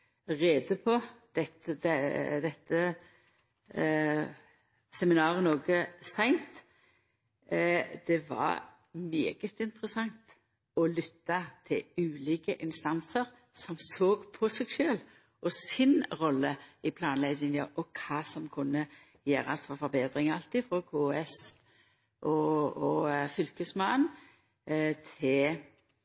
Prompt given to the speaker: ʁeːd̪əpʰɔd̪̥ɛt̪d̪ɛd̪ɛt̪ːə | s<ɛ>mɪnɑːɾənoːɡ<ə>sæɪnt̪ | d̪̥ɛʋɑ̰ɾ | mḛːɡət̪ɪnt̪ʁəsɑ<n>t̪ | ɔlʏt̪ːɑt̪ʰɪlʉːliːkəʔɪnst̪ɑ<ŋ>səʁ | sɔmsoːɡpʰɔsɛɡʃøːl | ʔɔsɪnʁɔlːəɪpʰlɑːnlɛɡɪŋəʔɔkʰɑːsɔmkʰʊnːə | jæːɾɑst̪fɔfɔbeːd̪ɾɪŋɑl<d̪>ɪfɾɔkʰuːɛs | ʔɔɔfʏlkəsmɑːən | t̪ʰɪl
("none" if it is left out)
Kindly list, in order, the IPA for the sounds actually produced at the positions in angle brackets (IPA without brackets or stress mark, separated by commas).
ɛ, ə, ŋ, n, t̪